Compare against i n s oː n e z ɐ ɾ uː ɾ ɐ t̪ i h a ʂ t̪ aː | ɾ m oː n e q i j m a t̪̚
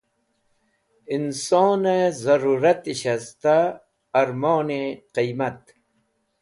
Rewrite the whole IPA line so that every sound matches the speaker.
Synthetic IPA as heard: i n s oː n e z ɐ ɾ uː ɾ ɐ t̪ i ɕ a s t̪ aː | ɾ m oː n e q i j m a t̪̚